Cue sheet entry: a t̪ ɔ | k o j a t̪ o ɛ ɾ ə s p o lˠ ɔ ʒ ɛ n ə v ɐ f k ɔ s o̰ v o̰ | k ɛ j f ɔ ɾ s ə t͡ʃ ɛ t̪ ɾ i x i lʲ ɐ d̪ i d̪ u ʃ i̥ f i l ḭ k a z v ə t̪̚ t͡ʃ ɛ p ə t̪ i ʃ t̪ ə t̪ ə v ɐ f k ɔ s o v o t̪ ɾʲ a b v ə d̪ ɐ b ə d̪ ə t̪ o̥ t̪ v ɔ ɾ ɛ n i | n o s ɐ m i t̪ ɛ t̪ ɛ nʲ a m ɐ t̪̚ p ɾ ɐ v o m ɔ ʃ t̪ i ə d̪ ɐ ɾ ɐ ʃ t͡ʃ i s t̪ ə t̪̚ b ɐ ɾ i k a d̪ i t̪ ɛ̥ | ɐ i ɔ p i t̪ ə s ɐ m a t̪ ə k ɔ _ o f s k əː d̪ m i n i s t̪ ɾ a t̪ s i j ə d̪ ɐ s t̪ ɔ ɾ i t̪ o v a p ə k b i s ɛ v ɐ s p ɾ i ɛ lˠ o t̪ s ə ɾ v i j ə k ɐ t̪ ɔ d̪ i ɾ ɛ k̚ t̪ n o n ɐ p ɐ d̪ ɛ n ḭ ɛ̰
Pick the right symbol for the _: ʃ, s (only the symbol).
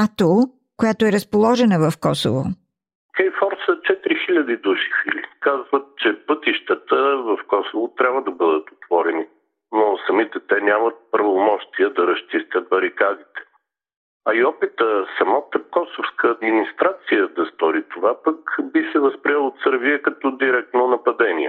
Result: s